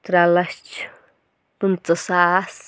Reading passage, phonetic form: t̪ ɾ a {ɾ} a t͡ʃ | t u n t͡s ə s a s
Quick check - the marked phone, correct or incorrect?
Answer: incorrect